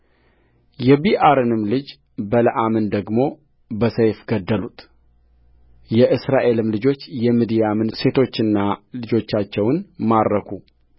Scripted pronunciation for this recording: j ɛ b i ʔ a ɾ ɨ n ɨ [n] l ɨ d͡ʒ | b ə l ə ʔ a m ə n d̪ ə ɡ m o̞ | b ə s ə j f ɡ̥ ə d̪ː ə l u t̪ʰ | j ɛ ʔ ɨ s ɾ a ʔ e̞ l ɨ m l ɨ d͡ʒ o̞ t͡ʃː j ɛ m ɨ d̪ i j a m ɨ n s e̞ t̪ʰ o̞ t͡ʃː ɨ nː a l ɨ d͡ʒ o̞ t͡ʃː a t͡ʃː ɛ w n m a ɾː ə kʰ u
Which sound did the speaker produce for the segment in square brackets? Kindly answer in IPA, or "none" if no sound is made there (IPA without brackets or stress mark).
m